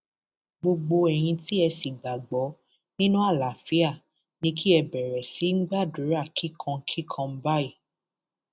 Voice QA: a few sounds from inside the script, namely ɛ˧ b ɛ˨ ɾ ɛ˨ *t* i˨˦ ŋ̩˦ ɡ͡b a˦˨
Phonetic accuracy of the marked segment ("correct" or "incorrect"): incorrect